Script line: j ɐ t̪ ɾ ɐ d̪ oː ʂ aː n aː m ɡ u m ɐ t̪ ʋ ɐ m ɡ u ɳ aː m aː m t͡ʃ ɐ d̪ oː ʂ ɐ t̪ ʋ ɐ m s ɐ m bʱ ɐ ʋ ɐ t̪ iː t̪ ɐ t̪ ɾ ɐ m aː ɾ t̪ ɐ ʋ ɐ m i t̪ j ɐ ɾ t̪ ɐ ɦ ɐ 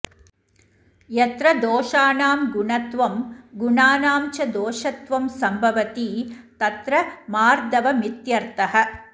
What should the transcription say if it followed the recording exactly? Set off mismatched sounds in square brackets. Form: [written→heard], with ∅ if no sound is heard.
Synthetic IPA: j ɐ t̪ ɾ ɐ d̪ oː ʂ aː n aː m ɡ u [m→ɳ] ɐ t̪ ʋ ɐ m ɡ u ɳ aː [m→n] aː m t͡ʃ ɐ d̪ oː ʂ ɐ t̪ ʋ ɐ m s ɐ m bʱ ɐ ʋ ɐ t̪ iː t̪ ɐ t̪ ɾ ɐ m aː ɾ [t̪→d̪] ɐ ʋ ɐ m i t̪ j ɐ ɾ t̪ ɐ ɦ ɐ